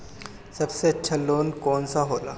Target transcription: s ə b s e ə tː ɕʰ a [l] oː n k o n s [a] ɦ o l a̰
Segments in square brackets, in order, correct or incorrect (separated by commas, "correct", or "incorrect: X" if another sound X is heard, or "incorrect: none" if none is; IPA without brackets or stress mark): correct, correct